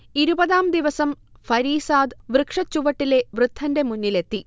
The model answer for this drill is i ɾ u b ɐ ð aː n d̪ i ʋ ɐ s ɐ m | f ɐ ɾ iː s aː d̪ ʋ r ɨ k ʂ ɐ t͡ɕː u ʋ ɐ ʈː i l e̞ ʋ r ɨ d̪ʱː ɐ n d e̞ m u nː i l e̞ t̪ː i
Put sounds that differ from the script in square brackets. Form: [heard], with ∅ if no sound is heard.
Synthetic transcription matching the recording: i ɾ u b ɐ ð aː [m] d̪ i ʋ ɐ s ɐ m | f ɐ ɾ iː s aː d̪ ʋ r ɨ k ʂ ɐ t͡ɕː u ʋ ɐ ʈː i l e̞ ʋ r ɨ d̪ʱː ɐ n d e̞ m u nː i l e̞ t̪ː i